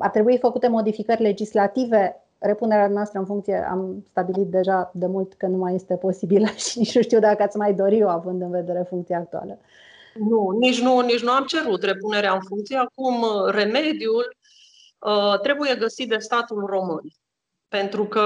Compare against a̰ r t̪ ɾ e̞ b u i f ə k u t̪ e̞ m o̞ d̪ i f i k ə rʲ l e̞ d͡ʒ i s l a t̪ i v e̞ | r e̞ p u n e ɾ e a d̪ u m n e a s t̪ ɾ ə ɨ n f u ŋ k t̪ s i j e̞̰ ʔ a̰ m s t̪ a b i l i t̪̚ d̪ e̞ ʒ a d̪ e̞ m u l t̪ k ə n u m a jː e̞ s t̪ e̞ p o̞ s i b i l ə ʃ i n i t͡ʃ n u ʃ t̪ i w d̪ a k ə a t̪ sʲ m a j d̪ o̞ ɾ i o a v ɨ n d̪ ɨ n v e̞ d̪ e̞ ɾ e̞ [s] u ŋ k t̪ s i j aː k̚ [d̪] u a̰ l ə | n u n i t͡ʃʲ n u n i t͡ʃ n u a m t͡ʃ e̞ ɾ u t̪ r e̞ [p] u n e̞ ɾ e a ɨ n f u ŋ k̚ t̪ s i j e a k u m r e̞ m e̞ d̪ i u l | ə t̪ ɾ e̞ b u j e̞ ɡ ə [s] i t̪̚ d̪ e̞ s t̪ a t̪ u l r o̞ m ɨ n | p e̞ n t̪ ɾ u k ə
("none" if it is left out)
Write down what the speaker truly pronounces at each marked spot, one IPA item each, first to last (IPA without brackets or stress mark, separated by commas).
f, t̪, p, s